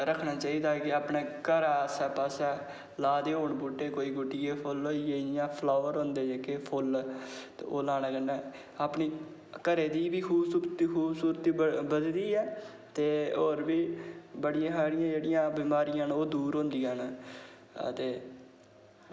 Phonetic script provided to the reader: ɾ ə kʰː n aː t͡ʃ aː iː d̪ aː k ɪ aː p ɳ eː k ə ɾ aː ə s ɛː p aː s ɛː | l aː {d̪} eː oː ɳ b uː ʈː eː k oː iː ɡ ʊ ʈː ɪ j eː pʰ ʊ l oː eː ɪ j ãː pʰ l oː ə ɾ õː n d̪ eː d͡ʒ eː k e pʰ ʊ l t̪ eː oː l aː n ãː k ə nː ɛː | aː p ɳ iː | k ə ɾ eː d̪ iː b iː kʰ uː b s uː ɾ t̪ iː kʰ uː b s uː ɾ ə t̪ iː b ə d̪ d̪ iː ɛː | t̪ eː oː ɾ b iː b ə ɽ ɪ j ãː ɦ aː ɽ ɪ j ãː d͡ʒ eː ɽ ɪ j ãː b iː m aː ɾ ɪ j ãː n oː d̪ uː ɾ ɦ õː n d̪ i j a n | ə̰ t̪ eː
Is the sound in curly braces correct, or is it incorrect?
correct